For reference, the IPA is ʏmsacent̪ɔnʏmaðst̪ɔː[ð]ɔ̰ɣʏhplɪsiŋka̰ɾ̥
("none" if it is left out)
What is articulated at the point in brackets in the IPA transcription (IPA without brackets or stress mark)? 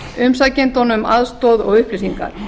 ð